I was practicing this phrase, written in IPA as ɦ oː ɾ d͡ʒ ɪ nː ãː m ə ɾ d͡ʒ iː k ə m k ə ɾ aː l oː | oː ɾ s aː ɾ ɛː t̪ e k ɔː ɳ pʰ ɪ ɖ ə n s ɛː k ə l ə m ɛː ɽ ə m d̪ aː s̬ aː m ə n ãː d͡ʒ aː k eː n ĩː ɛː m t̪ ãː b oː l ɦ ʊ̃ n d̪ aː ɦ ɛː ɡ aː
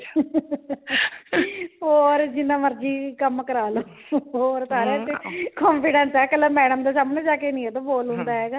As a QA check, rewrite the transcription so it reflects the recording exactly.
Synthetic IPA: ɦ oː ɾ d͡ʒ ɪ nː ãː m ə ɾ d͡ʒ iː k ə m k ə ɾ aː l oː | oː ɾ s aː ɾ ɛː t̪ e k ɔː m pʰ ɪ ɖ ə n s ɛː k ə l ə m ɛː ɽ ə m d̪ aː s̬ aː m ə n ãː d͡ʒ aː k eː n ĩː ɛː t̪ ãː b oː l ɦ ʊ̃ n d̪ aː ɦ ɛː ɡ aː

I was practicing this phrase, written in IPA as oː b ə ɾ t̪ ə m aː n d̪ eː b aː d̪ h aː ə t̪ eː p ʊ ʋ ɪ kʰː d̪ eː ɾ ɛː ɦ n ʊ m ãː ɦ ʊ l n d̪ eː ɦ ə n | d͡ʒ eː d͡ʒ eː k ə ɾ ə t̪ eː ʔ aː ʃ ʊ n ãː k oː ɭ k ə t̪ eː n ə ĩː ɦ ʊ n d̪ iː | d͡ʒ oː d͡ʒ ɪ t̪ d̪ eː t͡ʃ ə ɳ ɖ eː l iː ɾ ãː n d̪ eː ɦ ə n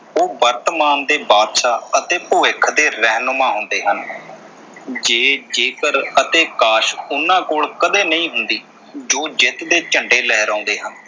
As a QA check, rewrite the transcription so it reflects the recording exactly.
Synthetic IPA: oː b ə ɾ t̪ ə m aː n d̪ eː b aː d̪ ʃ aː ə t̪ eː p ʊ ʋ ɪ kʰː d̪ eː ɾ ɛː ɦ n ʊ m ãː ɦ ʊ n d̪ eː ɦ ə n | d͡ʒ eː d͡ʒ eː k ə ɾ ə t̪ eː k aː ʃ ʊ n ãː k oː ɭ k ə d̪ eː n ə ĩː ɦ ʊ n d̪ iː | d͡ʒ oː d͡ʒ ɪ t̪ d̪ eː t͡ʃ ə ɳ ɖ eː l ɛː ɾ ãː n d̪ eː ɦ ə n

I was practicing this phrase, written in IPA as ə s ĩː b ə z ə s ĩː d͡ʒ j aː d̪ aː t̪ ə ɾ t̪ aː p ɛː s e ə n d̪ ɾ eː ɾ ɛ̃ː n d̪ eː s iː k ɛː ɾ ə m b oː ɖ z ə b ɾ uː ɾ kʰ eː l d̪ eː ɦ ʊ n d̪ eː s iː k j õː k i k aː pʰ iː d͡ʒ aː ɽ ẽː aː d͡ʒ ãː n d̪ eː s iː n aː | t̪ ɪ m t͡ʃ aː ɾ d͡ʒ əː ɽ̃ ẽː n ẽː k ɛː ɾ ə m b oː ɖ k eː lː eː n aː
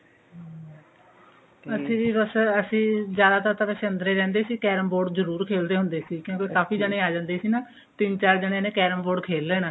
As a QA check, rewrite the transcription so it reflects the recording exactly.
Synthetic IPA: ə s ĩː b ə s ə s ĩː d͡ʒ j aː d̪ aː t̪ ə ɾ t̪ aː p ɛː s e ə n d̪ ɾ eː ɾ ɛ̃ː n d̪ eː s iː k ɛː ɾ ə m b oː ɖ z ə ɾ uː ɾ kʰ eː l d̪ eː ɦ ʊ n d̪ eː s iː k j õː k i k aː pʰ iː d͡ʒ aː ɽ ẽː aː d͡ʒ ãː n d̪ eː s iː n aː | t̪ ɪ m t͡ʃ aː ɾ d͡ʒ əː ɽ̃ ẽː n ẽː k ɛː ɾ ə m b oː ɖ kʰ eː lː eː n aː

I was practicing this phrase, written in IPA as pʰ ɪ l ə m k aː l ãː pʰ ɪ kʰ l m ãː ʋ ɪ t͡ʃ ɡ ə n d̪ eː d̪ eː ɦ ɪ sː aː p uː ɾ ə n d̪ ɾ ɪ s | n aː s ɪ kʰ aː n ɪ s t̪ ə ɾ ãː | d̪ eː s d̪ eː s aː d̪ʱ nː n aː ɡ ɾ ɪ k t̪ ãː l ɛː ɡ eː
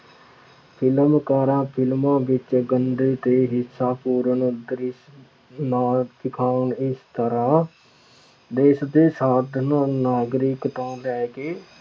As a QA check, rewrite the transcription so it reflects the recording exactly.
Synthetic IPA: pʰ ɪ l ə m k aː ɾ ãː pʰ ɪ l m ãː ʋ ɪ t͡ʃ ɡ ə n d̪ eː t̪ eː ɦ ɪ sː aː p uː ɾ ə n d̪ ɾ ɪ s | n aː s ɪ kʰ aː n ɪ s t̪ ə ɾ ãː | d̪ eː s d̪ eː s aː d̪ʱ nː n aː ɡ ɾ ɪ k t̪ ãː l ɛː ɡ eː

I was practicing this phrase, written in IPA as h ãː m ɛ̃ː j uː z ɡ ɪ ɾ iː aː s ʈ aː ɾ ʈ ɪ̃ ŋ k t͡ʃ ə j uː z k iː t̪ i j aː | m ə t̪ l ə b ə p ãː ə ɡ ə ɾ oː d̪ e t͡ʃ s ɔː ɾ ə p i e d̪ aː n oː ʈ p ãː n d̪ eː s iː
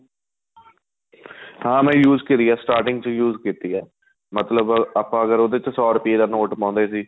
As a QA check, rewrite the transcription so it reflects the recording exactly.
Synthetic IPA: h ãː m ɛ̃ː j uː z k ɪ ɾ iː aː s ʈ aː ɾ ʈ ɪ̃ ŋ ɡ t͡ʃ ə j uː z k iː t̪ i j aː | m ə t̪ l ə b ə p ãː ə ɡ ə ɾ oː d̪ e t͡ʃ s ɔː ɾ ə p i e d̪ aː n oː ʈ p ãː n d̪ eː s iː

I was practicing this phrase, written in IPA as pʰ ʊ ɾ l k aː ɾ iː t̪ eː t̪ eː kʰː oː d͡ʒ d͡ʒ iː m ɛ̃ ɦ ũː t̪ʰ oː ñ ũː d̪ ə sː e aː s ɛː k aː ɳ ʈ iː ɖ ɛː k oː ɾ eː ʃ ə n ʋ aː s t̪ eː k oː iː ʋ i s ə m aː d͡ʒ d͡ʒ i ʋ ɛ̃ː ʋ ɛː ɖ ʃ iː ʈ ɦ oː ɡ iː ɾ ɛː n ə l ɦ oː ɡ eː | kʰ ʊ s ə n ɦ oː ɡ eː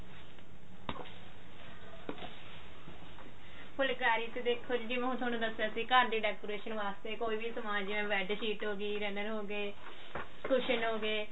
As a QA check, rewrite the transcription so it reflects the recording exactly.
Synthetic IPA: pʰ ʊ l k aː ɾ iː t̪ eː d̪ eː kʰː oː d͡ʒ d͡ʒ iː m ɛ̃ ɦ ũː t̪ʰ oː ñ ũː d̪ ə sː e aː s iː k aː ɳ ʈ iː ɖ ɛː k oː ɾ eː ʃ ə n ʋ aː s t̪ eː k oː iː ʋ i s ə m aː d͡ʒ d͡ʒ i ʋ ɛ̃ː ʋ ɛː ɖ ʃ iː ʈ ɦ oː ɡ iː ɾ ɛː n ə ɾ ɦ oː ɡ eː | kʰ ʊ ʃ ə n ɦ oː ɡ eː

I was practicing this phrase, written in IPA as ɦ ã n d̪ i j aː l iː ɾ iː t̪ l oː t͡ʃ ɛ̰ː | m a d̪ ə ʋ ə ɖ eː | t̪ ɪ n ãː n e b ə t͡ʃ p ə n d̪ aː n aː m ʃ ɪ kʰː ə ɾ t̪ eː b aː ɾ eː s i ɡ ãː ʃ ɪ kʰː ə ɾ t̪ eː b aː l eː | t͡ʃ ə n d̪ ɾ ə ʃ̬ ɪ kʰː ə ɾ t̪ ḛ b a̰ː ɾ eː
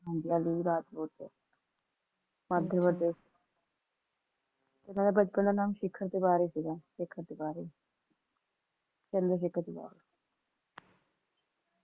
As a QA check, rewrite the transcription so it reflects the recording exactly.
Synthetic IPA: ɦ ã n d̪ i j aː l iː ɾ aː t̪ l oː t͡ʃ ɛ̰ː | m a d̪ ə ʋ ə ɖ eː | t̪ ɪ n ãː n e b ə t͡ʃ p ə n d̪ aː n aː m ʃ ɪ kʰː ə ɾ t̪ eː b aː ɾ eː s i ɡ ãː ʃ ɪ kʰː ə ɾ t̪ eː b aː ɾ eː | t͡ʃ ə n d̪ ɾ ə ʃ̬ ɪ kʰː ə ɾ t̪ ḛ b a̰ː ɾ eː

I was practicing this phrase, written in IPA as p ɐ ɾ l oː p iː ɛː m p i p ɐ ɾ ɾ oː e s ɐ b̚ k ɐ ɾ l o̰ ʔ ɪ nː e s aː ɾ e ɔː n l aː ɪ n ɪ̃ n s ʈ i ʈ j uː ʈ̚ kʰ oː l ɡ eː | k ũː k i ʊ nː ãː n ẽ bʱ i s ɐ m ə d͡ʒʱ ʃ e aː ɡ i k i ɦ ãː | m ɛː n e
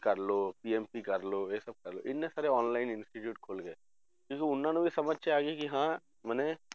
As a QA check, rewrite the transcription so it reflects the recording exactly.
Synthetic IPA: k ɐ ɾ l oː p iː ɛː m p i k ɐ ɾ l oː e s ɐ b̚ k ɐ ɾ l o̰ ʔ ɪ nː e s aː ɾ e ɔː n l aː ɪ n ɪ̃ n s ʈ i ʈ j uː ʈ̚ kʰ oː l ɡ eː | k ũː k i ʊ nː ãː n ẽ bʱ i s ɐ m ə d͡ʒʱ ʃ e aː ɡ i k i ɦ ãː | m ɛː n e

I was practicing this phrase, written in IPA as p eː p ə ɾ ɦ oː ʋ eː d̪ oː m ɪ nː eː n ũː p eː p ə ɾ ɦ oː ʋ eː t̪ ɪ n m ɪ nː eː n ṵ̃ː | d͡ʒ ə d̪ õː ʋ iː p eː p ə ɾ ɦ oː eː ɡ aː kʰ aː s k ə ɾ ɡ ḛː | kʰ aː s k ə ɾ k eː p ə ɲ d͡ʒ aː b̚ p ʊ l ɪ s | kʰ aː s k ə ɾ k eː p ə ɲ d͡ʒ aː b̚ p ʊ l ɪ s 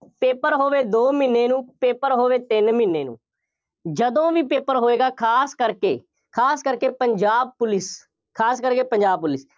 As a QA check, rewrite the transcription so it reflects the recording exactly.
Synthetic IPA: p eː p ə ɾ ɦ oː ʋ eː d̪ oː m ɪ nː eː n ũː p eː p ə ɾ ɦ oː ʋ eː t̪ ɪ n m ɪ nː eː n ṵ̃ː | d͡ʒ ə d̪ õː ʋ iː p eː p ə ɾ ɦ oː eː ɡ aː kʰ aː s k ə ɾ k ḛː | kʰ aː s k ə ɾ k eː p ə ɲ d͡ʒ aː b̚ p ʊ l ɪ s | kʰ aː s k ə ɾ k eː p ə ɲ d͡ʒ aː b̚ p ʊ l ɪ s

